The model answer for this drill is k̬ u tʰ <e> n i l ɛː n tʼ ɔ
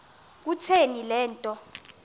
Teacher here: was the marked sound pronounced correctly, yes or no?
yes